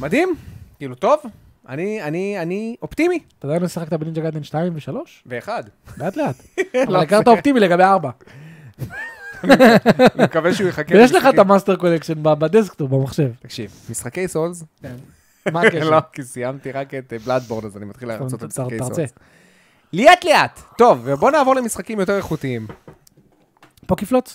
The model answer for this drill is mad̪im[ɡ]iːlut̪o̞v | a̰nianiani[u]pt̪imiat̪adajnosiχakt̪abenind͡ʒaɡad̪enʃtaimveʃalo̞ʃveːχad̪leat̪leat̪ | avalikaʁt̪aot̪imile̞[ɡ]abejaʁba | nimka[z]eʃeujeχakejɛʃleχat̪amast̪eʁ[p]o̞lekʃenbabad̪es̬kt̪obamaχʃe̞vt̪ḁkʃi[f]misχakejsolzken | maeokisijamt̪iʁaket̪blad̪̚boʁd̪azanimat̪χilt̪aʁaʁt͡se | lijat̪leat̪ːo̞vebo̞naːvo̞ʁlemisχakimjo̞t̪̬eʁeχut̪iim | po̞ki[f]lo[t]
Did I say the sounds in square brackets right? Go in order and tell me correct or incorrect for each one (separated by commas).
incorrect, incorrect, correct, incorrect, incorrect, incorrect, correct, incorrect